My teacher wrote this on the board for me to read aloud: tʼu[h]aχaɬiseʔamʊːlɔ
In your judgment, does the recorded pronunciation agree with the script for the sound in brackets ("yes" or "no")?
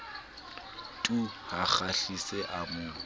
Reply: yes